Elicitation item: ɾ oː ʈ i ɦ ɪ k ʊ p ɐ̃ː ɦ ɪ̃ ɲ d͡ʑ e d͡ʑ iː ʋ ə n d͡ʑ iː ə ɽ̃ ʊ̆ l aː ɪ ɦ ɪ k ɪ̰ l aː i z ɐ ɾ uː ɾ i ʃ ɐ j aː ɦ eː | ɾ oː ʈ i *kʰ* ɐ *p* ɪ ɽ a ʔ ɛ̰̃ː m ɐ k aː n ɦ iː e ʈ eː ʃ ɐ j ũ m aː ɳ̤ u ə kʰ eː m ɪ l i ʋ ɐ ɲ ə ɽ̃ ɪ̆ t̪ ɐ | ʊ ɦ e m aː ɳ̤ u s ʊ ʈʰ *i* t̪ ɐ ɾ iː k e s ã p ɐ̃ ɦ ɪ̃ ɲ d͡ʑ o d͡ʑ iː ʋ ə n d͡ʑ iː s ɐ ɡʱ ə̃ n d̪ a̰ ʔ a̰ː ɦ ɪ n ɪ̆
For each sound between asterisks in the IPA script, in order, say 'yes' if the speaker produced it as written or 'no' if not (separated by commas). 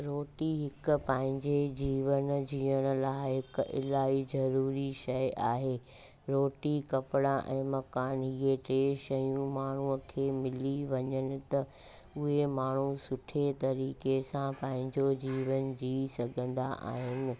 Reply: no, yes, no